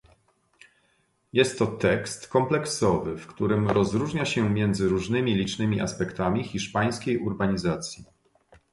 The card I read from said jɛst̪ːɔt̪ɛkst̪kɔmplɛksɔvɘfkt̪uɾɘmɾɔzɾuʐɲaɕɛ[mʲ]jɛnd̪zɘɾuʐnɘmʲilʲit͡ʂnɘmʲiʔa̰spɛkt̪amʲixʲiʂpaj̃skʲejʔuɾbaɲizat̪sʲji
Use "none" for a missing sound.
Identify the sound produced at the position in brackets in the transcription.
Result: mʲ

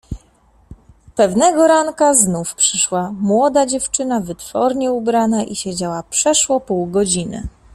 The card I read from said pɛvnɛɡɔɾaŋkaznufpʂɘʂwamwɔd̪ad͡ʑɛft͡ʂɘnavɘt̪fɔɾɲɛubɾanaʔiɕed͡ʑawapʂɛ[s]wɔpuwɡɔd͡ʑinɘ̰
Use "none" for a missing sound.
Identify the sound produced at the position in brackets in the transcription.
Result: ʂ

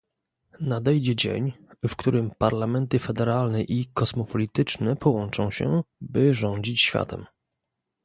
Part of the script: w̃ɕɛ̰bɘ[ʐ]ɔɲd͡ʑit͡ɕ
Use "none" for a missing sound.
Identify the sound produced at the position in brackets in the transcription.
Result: ʐ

